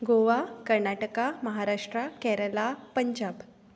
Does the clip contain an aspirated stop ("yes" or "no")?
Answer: no